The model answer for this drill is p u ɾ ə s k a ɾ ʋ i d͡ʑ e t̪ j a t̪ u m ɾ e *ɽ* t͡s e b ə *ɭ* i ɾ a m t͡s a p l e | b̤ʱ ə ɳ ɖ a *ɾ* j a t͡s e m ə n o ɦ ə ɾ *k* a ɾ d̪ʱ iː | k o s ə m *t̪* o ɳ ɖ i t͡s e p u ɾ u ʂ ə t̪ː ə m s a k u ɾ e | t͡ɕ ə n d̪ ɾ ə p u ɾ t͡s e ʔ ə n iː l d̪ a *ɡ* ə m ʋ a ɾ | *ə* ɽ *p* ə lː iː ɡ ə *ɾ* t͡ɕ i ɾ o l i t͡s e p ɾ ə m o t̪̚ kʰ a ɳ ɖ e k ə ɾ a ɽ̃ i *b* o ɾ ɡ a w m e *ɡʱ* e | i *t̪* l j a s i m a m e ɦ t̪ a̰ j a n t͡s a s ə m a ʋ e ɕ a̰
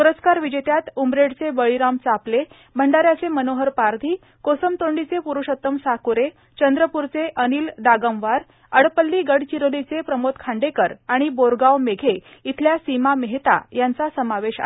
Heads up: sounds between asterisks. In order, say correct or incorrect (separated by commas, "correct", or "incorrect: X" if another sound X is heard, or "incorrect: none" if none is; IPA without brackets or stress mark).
correct, correct, correct, incorrect: p, correct, correct, correct, correct, incorrect: ɽ, correct, correct, incorrect: t̪ʰ